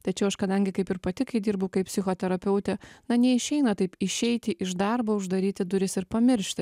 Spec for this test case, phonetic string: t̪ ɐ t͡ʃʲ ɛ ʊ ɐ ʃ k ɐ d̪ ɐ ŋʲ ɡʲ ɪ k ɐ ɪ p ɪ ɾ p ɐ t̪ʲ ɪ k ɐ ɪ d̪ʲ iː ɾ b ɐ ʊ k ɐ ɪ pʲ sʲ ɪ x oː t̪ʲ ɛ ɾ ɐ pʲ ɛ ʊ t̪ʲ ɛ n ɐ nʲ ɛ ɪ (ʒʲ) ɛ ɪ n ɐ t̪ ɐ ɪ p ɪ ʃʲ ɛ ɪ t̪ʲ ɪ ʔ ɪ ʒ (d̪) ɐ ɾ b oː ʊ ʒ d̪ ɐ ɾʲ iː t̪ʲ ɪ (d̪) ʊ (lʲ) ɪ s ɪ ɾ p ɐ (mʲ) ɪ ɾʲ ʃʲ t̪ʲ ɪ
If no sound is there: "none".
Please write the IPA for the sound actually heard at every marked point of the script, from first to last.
ʃʲ, d̪, d̪, ɾʲ, mʲ

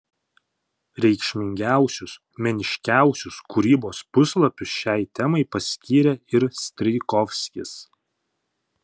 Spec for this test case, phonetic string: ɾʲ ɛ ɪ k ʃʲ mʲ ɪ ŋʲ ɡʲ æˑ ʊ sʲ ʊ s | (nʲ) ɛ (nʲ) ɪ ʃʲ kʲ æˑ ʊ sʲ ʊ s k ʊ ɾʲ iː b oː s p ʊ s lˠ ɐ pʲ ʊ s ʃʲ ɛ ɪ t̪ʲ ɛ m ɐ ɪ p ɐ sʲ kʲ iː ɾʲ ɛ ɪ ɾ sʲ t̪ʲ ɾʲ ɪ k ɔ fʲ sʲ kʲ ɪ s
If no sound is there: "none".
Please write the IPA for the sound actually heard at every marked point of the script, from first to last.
mʲ, nʲ

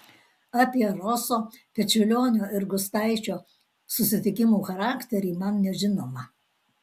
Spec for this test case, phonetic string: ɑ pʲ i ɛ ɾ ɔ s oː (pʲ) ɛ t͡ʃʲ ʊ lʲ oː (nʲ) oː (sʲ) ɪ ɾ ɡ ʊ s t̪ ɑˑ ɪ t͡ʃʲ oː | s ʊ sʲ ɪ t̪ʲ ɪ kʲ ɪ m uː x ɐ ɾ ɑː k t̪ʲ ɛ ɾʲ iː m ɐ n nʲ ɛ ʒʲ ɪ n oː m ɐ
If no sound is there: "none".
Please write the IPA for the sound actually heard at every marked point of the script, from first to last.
pʲ, nʲ, none

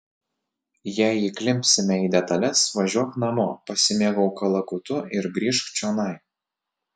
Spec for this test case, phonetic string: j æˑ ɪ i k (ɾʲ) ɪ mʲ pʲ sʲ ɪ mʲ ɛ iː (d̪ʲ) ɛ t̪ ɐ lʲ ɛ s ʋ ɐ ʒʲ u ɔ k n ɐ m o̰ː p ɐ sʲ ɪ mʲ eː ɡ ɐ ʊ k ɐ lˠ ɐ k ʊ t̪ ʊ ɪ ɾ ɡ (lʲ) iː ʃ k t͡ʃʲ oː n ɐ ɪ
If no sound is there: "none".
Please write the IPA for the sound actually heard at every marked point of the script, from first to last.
lʲ, d̪ʲ, ɾʲ

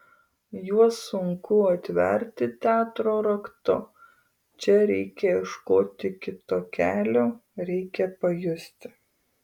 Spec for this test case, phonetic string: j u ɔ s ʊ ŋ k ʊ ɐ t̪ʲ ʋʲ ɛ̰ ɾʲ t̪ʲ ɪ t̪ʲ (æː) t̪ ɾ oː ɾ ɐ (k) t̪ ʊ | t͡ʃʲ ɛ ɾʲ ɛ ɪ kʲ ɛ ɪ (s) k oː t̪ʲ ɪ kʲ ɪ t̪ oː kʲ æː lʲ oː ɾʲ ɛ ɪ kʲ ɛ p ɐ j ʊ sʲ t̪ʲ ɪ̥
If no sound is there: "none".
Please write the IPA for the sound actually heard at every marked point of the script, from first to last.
æː, k, ʃ

